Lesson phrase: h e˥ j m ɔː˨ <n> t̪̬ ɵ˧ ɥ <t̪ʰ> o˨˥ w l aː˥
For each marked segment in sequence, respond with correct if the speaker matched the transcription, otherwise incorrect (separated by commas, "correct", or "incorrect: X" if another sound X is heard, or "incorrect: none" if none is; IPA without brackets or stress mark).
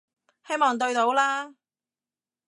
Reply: incorrect: ŋ, incorrect: t̪